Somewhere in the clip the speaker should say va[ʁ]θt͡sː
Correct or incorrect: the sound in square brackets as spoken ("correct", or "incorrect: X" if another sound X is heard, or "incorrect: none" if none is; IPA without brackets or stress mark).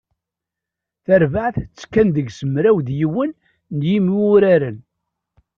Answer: incorrect: ʕ